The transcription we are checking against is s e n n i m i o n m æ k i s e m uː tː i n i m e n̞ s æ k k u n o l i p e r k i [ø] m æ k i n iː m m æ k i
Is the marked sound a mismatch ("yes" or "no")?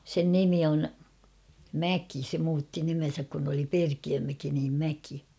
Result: no